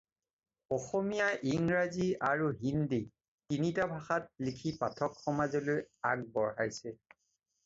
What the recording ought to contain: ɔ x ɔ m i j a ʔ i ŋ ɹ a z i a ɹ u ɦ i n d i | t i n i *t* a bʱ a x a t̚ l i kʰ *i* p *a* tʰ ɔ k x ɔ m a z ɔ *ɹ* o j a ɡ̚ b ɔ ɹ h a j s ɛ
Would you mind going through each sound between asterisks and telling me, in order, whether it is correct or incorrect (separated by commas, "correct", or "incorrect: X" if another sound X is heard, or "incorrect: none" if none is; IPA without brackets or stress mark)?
correct, correct, correct, incorrect: l